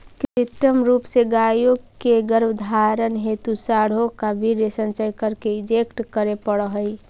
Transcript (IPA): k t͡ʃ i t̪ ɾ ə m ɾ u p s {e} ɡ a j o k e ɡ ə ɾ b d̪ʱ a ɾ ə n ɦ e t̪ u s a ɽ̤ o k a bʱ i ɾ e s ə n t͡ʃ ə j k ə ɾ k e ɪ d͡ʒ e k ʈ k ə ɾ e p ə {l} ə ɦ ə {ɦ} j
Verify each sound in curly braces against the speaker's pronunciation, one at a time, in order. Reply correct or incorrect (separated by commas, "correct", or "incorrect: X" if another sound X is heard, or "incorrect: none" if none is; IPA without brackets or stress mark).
correct, incorrect: ɽ, incorrect: none